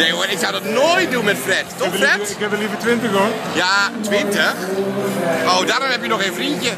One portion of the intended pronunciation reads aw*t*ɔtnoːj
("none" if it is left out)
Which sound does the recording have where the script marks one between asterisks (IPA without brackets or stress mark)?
d